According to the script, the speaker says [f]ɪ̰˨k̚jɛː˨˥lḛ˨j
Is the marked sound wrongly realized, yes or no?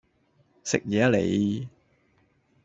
yes